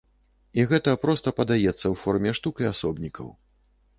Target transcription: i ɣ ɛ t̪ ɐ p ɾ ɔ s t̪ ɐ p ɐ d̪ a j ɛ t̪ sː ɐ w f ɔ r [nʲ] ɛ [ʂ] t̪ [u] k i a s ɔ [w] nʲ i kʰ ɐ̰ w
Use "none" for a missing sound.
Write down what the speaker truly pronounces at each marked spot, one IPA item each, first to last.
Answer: mʲ, ʂ, u, b

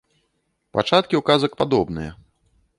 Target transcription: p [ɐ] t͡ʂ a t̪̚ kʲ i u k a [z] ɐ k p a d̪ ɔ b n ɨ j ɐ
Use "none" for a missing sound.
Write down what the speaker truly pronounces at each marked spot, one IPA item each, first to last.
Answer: a, z

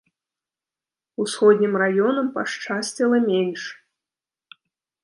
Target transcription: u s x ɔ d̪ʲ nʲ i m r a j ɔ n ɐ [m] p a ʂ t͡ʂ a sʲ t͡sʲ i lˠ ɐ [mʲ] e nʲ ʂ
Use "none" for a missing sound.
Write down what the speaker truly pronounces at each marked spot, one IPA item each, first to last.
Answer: m, mʲ

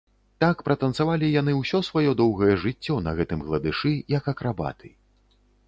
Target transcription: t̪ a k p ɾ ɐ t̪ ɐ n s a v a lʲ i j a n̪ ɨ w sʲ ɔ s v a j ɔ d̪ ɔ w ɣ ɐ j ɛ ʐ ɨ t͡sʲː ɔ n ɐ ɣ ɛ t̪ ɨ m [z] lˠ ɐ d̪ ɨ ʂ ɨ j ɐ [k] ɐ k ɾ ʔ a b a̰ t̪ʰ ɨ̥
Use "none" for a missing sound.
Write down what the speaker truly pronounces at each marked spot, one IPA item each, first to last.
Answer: ɣ, k

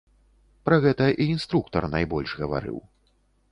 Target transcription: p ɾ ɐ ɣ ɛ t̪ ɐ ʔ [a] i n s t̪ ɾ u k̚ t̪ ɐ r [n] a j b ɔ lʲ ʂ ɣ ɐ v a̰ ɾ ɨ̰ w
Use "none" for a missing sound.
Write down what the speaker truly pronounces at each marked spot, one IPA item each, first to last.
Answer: i, n

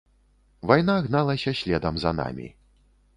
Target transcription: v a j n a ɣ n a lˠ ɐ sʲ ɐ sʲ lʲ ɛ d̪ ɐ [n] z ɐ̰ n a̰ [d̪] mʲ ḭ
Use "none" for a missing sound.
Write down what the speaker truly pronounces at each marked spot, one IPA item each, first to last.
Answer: m, none

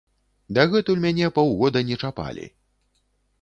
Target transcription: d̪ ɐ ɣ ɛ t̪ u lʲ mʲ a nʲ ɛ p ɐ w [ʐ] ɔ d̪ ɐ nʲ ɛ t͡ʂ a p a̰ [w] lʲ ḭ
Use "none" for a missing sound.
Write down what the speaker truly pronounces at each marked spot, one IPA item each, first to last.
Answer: ɣ, none

